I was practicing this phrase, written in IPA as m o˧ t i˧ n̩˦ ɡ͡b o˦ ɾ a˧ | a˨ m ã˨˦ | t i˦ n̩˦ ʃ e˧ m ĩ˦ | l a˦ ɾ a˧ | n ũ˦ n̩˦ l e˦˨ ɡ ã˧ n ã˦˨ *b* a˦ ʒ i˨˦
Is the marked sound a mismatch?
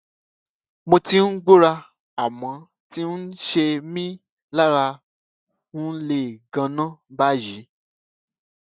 no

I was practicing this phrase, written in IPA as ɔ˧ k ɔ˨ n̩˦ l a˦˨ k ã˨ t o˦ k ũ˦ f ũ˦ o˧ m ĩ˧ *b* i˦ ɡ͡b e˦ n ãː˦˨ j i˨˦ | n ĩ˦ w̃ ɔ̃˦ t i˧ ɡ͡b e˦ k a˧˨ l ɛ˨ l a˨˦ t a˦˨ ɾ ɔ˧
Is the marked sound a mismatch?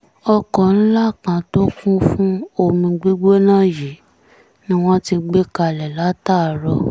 yes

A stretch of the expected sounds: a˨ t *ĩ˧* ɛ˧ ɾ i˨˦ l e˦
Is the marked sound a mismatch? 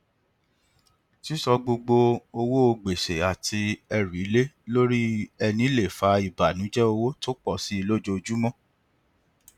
yes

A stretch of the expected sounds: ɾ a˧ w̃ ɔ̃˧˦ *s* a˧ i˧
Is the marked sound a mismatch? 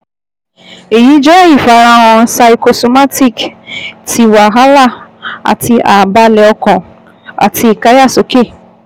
no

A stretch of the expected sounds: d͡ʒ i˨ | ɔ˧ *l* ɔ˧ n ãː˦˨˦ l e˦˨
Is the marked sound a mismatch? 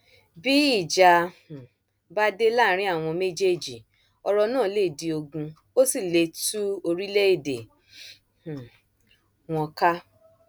yes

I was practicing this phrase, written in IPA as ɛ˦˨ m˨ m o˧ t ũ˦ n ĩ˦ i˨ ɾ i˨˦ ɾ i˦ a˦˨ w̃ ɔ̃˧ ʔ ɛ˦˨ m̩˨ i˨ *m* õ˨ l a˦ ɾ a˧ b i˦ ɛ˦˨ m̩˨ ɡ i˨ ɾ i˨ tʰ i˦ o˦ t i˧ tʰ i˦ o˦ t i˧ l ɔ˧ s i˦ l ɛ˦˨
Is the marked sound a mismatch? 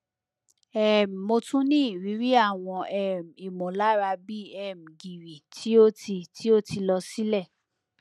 no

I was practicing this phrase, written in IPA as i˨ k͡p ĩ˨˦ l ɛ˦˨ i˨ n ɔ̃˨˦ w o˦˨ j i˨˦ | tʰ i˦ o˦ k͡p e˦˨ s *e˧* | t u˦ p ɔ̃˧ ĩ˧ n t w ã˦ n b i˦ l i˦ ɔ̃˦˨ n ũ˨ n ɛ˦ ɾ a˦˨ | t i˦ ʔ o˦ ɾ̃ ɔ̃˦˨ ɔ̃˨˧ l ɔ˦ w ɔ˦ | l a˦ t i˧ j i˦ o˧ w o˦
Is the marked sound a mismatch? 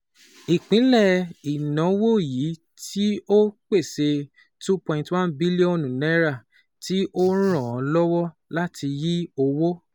no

